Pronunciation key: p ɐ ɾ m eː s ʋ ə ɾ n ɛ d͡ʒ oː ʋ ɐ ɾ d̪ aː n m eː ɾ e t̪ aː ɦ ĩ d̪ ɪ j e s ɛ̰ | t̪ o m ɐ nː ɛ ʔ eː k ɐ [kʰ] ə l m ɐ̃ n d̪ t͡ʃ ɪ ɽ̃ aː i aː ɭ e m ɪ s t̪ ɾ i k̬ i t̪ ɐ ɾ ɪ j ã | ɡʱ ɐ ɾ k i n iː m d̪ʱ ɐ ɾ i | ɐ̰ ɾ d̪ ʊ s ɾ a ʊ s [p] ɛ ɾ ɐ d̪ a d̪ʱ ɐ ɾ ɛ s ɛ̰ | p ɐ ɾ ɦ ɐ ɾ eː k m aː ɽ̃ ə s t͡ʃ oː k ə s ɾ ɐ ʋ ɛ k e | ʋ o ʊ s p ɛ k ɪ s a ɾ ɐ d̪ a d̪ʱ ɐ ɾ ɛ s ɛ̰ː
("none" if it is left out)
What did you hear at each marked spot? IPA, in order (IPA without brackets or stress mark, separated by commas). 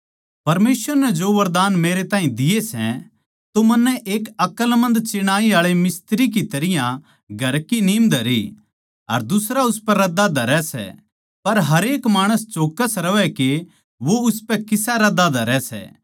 k, p